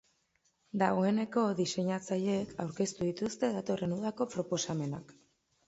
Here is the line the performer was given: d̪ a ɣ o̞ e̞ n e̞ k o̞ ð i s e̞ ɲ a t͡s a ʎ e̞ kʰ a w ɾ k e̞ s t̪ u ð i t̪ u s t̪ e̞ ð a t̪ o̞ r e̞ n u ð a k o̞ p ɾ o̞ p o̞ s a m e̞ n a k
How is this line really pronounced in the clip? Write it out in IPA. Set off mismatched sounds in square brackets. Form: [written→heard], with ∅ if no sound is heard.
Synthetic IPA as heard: d̪ a ɣ o̞ e̞ n e̞ k o̞ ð i s e̞ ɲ a t͡s a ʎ e̞ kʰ a w ɾ k e̞ s t̪ u ð i t̪ u s t̪ e̞ ð a t̪ o̞ r e̞ n u ð a k o̞ p ɾ o̞ p o̞ s a m e̞ n a k